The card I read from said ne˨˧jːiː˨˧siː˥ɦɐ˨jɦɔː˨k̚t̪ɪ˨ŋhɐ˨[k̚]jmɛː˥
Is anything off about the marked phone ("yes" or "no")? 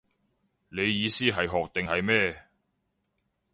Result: yes